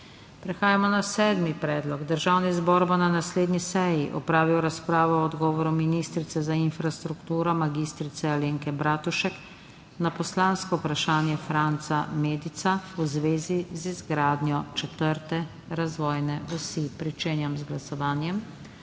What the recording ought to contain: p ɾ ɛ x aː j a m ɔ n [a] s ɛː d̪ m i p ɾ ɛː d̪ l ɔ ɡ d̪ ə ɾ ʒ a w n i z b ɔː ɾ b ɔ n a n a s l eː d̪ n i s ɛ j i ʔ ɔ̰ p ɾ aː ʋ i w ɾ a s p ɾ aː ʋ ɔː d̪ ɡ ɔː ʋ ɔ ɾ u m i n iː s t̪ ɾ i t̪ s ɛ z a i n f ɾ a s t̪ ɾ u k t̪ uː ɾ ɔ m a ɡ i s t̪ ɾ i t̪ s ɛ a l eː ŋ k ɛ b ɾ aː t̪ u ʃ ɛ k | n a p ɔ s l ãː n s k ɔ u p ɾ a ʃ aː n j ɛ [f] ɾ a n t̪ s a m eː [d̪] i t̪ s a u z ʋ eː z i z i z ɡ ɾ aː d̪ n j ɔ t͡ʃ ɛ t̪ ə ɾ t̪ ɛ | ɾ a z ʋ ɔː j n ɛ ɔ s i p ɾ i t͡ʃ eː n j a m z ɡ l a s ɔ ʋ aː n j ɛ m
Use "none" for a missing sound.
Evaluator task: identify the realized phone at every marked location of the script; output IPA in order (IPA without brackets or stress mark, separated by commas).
a, f, d̪